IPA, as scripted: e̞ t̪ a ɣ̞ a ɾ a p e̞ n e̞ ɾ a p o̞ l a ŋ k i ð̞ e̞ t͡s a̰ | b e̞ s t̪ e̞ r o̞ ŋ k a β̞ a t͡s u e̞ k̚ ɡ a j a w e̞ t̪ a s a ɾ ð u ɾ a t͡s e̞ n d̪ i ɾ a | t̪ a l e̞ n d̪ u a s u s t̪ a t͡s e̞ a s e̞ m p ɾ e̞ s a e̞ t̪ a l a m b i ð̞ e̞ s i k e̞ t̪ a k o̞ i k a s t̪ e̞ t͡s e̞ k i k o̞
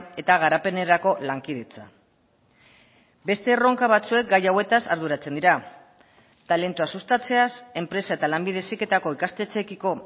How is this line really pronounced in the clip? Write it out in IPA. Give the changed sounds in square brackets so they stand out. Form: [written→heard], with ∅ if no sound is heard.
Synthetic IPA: e̞ t̪ a ɣ̞ a ɾ a p e̞ n e̞ ɾ a [p→k] o̞ l a ŋ k i ð̞ e̞ t͡s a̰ | b e̞ s t̪ e̞ r o̞ ŋ k a β̞ a t͡s u e̞ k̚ ɡ a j a w e̞ t̪ a s a ɾ ð u ɾ a t͡s e̞ n d̪ i ɾ a | t̪ a l e̞ n [d̪→t̪] u a s u s t̪ a t͡s e̞ a s e̞ m p ɾ e̞ s a e̞ t̪ a l a m b i ð̞ e̞ s i k e̞ t̪ a k o̞ i k a s t̪ e̞ t͡s e̞ k i k o̞